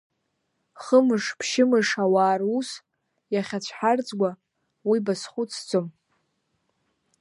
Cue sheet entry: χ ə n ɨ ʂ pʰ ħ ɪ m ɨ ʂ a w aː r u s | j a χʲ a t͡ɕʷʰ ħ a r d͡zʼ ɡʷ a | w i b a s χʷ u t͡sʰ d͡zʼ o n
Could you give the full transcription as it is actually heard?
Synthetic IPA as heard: χ ə m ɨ ʂ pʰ ʃ ɪ m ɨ ʂ a w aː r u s | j a χʲ a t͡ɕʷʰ ħ a r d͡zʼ ɡʷ a | w i b a s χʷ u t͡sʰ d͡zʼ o m